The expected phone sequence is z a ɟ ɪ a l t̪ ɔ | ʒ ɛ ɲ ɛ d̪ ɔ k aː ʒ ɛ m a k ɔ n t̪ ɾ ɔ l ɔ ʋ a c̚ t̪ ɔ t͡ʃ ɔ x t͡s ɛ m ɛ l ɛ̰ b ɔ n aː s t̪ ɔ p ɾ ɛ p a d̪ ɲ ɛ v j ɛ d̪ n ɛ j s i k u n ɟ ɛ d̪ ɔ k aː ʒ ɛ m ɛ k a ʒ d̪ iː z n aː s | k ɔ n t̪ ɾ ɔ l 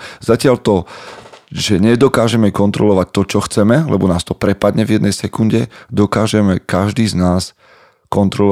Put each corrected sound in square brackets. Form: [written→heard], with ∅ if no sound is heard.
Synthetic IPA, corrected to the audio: z a [ɟ→c] ɪ a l t̪ ɔ | ʒ ɛ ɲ ɛ d̪ ɔ k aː ʒ ɛ m [a→ɛ] k ɔ n t̪ ɾ ɔ l ɔ ʋ a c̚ t̪ ɔ t͡ʃ ɔ x t͡s ɛ m ɛ l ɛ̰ b ɔ n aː s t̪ ɔ p ɾ ɛ p a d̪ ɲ ɛ v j ɛ d̪ n ɛ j s [i→ɛ] k u n ɟ ɛ d̪ ɔ k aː ʒ ɛ m ɛ k a ʒ d̪ iː z n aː s | k ɔ n t̪ ɾ ɔ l